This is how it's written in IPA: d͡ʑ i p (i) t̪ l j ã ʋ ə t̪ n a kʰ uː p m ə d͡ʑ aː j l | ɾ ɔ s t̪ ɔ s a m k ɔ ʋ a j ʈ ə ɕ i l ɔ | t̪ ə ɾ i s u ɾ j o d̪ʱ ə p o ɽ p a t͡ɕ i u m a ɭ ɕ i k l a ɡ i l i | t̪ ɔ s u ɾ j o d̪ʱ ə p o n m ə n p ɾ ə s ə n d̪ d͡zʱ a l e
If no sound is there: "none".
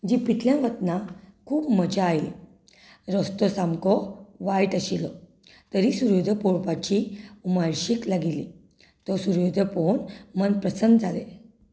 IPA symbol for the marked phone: i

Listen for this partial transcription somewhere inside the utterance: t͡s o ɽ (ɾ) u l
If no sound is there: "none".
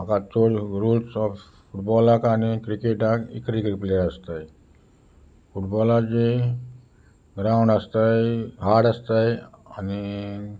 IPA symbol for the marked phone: ɾ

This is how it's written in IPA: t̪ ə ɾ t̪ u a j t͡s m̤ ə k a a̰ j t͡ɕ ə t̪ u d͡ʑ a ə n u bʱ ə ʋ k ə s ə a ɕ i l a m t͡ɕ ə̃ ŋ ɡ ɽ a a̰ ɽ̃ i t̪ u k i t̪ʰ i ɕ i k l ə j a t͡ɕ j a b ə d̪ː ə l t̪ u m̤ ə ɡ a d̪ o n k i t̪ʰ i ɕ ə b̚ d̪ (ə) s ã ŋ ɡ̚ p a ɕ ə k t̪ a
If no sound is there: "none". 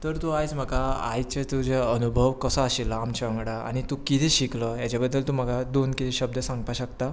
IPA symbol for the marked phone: ə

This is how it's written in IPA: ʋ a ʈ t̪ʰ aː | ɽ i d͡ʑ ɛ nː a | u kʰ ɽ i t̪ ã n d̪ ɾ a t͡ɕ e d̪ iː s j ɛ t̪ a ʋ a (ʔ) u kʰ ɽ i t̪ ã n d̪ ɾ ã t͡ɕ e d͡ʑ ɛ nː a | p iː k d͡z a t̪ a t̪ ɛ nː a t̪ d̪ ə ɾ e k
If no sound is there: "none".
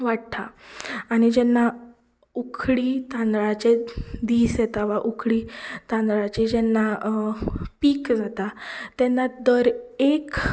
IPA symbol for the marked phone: ʔ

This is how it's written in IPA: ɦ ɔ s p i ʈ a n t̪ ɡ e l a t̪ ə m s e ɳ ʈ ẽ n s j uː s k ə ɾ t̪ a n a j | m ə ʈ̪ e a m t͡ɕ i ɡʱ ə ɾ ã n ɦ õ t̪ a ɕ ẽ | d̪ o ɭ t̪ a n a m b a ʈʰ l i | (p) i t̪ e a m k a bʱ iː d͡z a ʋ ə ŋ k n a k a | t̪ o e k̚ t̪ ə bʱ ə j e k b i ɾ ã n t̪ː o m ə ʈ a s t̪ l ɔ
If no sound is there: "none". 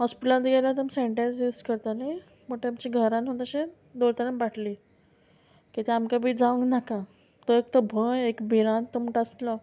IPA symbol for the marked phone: k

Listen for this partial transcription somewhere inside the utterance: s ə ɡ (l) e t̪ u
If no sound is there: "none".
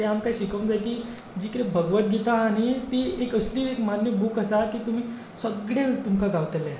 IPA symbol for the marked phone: ɽ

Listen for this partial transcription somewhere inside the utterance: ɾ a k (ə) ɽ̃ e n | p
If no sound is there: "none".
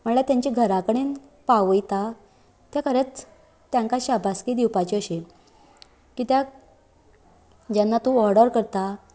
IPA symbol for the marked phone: ə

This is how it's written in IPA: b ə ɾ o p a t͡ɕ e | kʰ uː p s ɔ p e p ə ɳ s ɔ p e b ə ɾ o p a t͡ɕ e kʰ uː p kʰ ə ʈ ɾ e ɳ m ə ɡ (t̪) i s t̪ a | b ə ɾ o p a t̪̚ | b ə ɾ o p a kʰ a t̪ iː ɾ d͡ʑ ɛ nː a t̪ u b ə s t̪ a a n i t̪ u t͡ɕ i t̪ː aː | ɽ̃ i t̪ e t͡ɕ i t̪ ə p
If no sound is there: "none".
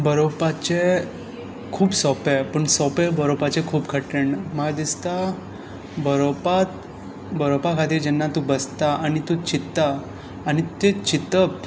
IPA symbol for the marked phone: d̪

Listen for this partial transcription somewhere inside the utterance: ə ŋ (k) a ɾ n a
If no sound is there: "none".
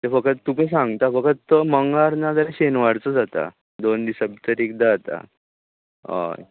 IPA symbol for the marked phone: ɡ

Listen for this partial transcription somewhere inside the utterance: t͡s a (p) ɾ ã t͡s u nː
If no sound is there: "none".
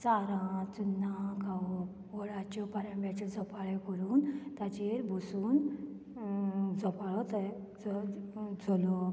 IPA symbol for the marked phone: none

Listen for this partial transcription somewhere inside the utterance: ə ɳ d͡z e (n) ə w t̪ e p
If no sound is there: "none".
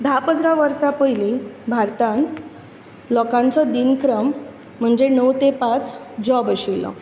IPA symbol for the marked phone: n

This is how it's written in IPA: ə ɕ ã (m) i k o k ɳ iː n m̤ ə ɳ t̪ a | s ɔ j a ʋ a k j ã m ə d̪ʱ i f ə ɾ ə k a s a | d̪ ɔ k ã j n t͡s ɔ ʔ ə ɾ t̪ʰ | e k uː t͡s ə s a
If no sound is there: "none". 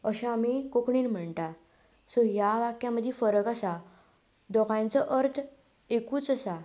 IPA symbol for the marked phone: m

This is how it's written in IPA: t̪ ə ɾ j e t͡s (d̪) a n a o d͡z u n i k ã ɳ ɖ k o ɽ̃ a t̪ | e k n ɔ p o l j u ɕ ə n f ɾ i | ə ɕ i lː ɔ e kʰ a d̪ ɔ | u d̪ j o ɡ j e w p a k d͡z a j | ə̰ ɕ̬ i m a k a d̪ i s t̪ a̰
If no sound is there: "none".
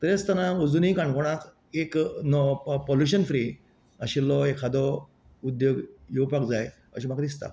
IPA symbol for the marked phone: t̪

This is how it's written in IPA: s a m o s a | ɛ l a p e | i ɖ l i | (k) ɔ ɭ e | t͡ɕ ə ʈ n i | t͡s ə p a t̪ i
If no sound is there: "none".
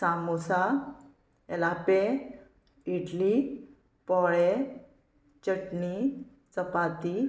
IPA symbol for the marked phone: p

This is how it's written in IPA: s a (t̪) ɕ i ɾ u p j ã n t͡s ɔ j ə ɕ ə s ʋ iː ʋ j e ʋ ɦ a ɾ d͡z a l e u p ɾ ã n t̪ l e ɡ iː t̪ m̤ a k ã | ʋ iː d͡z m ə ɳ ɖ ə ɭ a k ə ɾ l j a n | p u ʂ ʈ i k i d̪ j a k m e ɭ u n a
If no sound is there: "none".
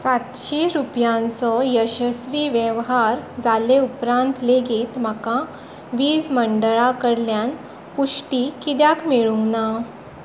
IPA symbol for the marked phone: t̪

